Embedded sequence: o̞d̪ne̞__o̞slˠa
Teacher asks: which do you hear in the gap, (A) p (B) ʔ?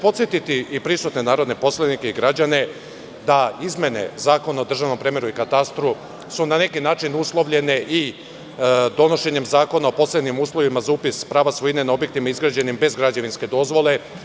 A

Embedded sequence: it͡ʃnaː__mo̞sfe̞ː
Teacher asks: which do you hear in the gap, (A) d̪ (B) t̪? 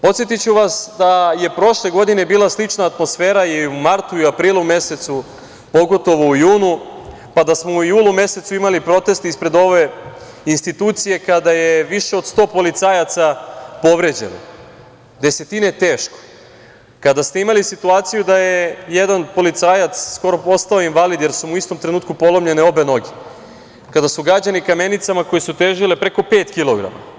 B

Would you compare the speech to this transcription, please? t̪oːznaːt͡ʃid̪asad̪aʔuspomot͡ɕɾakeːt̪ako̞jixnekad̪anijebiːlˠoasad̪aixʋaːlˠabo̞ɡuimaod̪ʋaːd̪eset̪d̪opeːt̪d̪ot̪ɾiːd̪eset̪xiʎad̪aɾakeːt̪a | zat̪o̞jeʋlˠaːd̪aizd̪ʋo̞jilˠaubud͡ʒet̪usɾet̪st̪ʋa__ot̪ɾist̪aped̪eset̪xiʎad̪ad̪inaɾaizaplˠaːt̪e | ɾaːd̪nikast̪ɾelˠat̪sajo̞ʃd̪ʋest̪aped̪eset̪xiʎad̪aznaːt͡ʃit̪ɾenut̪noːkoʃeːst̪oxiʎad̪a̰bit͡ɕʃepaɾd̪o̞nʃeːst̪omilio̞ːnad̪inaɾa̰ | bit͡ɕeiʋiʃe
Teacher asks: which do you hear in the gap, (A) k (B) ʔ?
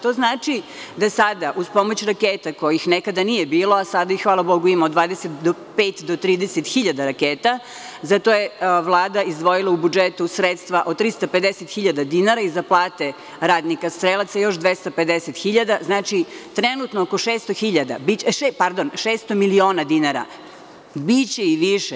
B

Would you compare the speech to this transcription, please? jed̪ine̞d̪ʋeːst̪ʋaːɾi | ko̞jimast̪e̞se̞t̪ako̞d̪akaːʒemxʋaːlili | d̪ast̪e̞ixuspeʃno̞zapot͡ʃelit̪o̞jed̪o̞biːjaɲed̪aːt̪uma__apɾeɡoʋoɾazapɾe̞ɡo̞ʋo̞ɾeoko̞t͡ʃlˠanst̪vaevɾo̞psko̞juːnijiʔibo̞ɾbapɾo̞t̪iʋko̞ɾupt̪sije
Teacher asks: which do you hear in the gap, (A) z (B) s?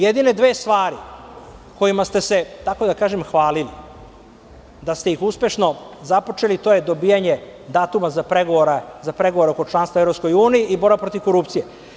A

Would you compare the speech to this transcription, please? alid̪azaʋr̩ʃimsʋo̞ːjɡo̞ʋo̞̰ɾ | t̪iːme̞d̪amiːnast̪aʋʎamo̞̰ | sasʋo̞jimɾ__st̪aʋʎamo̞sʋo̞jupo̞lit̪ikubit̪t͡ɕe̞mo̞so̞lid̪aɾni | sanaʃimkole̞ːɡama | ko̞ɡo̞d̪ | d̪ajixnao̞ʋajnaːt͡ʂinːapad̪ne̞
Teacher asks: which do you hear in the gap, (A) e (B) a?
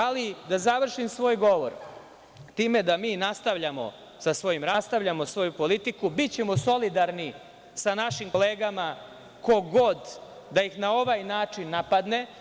B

